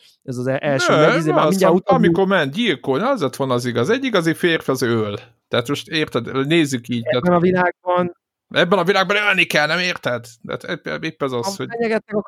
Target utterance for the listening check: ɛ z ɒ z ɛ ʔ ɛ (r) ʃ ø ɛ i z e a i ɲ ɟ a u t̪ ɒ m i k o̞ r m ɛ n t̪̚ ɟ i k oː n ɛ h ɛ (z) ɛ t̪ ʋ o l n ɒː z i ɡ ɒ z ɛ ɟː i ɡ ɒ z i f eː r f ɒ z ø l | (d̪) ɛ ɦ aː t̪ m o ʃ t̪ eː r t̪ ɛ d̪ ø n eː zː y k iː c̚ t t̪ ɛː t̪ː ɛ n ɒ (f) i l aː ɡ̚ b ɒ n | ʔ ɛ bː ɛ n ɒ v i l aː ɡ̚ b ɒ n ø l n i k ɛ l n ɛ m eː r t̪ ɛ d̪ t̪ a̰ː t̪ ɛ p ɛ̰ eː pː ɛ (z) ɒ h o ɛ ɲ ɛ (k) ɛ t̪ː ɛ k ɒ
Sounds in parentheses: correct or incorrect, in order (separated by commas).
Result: incorrect, correct, incorrect, incorrect, correct, incorrect